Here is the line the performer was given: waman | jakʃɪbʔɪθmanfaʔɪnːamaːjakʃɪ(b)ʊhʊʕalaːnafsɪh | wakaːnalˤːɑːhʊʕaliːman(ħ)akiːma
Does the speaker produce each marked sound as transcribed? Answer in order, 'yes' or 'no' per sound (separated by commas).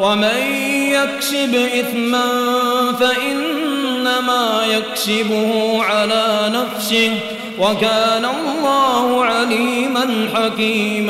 yes, yes